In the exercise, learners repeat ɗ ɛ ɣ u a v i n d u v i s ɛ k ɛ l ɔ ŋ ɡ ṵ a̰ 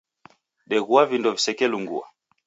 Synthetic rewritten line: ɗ ɛ ɣ u a v i n d ɔ v i s ɛ k ɛ l u ŋ ɡ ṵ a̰